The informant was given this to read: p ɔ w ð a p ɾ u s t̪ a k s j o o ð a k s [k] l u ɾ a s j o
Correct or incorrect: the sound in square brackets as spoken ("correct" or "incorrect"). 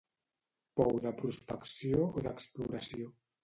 incorrect